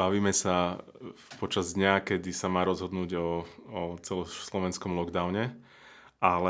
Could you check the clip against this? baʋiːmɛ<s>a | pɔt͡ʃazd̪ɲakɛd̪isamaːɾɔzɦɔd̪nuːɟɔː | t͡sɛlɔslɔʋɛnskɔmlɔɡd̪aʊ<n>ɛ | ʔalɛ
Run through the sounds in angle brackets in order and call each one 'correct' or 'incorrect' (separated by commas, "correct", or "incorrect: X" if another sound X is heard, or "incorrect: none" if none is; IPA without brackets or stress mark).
correct, incorrect: ɲ